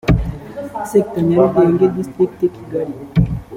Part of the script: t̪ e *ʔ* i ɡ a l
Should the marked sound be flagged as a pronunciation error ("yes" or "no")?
yes